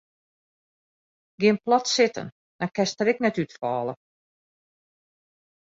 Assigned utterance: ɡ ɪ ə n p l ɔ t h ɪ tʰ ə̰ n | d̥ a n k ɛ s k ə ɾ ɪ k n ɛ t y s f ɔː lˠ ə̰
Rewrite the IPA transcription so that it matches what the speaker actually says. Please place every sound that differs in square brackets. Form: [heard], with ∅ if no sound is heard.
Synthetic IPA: ɡ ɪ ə n p l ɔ t [s] ɪ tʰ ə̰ n | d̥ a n k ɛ s [t] ə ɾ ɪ k n ɛ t y [t] f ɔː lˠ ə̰